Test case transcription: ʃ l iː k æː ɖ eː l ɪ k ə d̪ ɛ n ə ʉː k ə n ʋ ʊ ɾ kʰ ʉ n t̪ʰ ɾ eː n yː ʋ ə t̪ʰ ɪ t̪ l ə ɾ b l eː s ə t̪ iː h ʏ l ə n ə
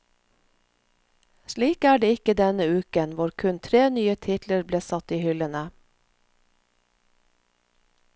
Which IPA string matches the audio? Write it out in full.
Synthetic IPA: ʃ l iː k æː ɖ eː ɪ k ə d̪ ɛ n ə ʉː k ə n ʋ ʊ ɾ kʰ ʉ n t̪ʰ ɾ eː n yː ə t̪ʰ ɪ t̪ l ə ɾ b l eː s ɑ t̪ iː h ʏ l ə n ə